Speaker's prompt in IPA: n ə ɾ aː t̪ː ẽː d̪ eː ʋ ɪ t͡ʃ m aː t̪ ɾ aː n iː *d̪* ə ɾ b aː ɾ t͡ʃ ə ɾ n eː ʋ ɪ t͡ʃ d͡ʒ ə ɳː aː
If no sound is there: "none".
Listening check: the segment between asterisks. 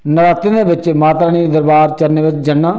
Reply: d̪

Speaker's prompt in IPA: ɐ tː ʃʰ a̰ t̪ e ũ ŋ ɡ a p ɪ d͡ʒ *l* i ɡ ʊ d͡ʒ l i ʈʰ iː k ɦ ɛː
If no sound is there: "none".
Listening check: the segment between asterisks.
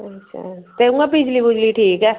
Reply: l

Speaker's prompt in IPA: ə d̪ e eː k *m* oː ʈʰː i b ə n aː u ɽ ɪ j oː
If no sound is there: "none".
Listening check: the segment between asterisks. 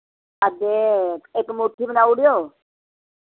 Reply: m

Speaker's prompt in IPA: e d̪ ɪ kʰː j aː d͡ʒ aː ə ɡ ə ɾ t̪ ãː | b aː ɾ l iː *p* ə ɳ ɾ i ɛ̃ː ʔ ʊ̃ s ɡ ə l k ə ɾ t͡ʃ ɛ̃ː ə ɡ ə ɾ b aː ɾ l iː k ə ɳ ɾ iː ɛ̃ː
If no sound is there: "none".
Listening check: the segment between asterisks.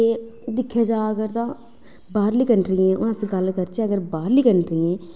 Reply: k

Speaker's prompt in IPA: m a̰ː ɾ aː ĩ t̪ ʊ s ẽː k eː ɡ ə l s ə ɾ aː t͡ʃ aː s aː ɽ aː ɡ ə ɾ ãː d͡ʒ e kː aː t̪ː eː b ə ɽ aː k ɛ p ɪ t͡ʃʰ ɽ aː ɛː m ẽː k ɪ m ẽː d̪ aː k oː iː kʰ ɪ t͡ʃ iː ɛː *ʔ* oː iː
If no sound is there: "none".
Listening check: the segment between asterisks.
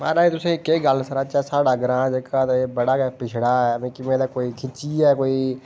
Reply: k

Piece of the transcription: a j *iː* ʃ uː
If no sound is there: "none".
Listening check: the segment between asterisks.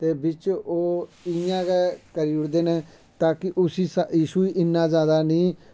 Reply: iː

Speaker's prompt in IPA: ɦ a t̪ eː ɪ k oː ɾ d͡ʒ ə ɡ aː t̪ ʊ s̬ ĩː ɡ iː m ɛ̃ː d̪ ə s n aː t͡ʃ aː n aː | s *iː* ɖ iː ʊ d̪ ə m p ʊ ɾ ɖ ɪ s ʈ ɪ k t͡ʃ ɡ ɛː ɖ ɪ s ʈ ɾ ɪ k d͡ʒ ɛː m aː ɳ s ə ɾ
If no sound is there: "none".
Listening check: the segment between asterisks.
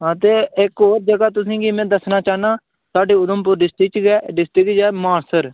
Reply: aː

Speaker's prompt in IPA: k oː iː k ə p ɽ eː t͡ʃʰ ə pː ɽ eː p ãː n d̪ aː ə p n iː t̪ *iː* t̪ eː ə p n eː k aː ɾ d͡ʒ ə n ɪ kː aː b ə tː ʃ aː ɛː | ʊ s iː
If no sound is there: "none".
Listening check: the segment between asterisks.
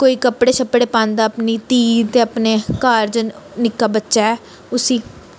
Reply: iː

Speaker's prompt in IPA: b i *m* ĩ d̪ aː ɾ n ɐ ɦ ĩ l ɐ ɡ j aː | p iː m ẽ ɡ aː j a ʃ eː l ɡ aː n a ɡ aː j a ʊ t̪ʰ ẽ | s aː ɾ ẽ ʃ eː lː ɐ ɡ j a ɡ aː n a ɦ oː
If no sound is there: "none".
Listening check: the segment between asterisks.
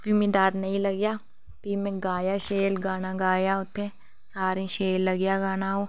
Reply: m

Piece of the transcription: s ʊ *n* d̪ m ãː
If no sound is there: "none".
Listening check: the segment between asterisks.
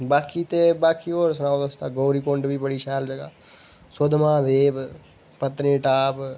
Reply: none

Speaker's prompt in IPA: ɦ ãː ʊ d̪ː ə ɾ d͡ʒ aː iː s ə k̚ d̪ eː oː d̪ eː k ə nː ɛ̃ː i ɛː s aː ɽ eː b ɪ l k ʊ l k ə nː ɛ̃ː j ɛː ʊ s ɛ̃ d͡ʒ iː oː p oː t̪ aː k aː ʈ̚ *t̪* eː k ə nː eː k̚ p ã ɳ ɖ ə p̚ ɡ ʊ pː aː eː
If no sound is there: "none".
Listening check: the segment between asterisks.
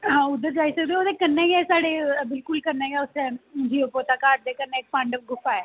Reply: d̪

